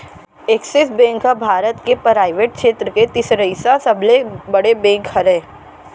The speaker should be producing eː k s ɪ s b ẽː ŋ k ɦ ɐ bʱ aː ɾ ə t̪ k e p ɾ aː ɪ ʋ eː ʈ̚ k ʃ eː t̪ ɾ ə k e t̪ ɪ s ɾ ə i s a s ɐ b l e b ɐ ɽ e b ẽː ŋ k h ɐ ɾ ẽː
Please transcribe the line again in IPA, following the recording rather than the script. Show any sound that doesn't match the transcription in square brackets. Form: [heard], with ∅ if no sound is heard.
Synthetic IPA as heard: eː k s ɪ s b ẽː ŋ k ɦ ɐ bʱ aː ɾ ə t̪ k e p ɾ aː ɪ ʋ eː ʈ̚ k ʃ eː t̪ ɾ ə k e t̪ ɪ s ɾ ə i s a s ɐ b l e b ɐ ɽ e b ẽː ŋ k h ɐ ɾ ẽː